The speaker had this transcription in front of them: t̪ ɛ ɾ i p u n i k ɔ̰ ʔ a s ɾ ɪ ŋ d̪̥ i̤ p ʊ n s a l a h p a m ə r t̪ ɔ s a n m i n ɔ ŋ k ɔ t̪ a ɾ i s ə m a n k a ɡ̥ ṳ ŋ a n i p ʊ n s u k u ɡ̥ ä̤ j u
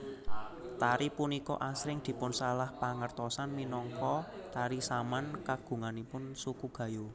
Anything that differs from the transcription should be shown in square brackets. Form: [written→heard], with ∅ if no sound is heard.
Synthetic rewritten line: t̪ [ɛ→a] ɾ i p u n i k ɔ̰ ʔ a s ɾ ɪ ŋ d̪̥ i̤ p ʊ n s a l a h p a [m→ŋ] ə r t̪ ɔ s a n m i n ɔ ŋ k ɔ t̪ a ɾ i s [ə→a] m a n k a ɡ̥ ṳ ŋ a n i p ʊ n s u k u ɡ̥ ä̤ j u